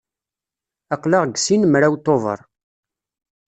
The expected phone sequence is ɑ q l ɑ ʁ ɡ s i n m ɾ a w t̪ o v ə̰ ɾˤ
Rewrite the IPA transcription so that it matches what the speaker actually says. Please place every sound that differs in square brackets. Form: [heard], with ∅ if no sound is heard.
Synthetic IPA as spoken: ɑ q l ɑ ʁ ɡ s i n m ɾ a w t̪ o v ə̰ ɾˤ